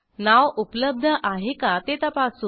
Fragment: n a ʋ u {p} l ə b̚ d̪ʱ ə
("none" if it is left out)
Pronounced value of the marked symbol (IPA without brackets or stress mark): p